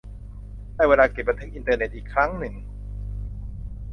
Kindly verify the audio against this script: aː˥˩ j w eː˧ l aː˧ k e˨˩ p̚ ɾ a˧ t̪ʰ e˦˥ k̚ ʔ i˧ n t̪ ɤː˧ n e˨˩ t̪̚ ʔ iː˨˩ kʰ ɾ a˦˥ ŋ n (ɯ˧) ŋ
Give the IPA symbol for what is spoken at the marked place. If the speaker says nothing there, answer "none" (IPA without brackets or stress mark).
ɯ˨˩